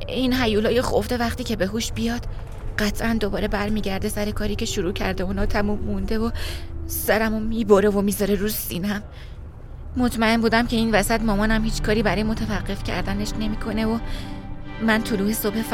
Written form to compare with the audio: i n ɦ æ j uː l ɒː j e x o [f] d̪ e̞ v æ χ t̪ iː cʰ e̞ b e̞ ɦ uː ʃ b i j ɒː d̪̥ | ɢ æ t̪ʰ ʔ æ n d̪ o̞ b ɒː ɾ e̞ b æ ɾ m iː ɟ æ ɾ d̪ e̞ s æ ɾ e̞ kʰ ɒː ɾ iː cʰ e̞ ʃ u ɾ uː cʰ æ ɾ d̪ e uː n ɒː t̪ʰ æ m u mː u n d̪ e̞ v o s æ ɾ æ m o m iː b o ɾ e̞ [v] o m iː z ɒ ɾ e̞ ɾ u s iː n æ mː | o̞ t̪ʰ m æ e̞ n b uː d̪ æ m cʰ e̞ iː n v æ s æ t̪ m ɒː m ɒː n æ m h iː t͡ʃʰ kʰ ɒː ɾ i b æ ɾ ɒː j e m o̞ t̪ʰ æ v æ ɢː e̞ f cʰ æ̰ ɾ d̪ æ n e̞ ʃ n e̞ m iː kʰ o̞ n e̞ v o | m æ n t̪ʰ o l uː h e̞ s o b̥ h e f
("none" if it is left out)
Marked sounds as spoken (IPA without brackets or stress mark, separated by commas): f, v